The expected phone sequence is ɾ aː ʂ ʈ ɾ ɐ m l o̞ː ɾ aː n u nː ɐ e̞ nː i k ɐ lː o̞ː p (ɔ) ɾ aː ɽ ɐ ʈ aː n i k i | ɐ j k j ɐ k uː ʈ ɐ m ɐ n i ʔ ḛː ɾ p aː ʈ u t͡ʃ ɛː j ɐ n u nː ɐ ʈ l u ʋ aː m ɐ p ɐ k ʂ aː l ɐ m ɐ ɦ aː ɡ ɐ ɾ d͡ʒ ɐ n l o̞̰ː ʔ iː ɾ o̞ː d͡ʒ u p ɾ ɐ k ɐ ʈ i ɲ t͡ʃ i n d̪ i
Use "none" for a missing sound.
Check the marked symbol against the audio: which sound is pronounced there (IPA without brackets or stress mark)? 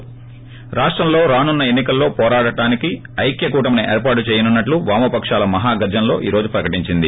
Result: ɔː